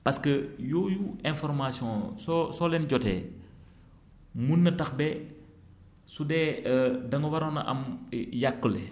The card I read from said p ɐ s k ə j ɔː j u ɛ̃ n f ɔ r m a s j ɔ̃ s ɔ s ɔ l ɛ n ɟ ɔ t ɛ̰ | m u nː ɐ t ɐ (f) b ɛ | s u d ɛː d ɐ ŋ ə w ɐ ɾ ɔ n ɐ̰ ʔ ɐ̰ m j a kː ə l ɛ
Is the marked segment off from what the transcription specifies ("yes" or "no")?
yes